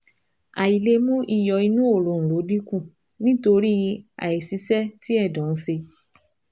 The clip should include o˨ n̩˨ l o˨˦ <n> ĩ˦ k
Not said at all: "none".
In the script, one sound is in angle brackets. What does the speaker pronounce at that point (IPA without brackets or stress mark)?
d